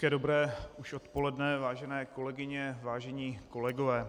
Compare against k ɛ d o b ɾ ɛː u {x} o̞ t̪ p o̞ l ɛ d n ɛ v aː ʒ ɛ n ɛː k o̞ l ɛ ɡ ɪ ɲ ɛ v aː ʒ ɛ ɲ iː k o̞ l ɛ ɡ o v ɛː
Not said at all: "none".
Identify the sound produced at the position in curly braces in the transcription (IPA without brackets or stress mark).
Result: ʃ